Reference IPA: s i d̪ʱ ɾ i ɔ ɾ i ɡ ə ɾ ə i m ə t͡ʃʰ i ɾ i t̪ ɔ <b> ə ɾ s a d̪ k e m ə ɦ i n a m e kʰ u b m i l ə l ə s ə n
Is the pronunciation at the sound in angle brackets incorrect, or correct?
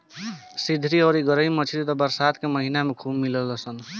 correct